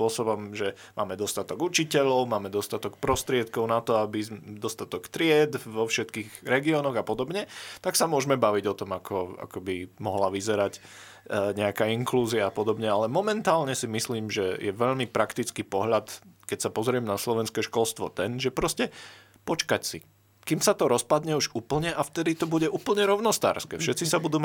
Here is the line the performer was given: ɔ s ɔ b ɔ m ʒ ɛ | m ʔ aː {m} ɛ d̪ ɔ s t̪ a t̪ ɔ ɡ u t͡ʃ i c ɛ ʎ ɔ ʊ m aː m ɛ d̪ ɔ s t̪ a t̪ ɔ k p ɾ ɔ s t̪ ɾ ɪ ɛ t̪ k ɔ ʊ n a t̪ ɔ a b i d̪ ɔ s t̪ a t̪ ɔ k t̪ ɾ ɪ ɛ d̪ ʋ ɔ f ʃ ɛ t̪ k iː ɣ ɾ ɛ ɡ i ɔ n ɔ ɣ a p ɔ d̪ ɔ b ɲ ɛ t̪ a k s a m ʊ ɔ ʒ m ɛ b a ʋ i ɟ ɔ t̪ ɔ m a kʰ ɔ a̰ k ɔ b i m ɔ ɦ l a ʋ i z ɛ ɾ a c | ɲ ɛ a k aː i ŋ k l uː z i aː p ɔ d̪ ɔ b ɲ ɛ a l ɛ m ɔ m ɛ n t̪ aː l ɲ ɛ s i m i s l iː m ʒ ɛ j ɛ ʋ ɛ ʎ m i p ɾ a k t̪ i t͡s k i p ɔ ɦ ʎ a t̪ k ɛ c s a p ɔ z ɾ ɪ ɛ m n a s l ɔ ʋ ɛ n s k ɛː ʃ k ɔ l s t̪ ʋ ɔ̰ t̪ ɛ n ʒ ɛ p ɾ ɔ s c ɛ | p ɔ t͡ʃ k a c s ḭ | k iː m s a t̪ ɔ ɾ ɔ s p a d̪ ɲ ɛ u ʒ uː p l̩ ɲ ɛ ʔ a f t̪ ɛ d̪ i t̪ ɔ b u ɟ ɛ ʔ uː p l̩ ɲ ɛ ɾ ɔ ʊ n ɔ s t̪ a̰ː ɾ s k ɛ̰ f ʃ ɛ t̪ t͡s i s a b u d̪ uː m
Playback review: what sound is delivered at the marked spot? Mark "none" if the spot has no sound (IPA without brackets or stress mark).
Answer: m